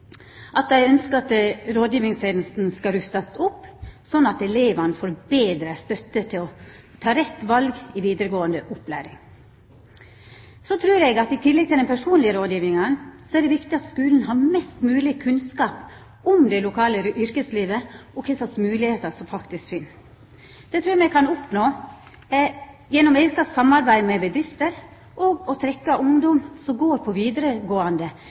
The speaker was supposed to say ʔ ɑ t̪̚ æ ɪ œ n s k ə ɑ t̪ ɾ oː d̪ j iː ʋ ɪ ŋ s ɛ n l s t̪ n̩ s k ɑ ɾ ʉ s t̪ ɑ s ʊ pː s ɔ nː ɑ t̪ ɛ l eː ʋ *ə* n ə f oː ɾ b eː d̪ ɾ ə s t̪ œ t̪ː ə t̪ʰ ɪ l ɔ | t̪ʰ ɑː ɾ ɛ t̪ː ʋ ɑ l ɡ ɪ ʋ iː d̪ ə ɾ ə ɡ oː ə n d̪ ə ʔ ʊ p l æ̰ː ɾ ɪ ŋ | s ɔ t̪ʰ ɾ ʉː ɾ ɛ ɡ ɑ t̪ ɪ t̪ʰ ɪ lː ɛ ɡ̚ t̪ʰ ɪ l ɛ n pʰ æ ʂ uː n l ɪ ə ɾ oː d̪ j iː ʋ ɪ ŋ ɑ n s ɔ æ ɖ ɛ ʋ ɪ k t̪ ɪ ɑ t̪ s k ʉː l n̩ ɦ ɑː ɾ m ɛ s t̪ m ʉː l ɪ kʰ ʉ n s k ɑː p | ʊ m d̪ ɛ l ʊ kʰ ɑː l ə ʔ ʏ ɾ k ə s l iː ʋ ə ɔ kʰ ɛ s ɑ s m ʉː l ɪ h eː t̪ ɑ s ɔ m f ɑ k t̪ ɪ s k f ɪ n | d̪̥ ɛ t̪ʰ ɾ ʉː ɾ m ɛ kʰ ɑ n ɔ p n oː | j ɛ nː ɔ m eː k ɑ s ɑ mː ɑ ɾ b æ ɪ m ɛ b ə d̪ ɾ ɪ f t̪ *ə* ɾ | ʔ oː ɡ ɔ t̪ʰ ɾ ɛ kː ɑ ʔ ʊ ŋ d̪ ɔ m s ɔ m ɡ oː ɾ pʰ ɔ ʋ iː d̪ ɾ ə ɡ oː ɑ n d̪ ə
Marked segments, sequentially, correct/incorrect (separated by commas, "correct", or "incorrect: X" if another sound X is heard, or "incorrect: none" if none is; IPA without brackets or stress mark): incorrect: ɑ, correct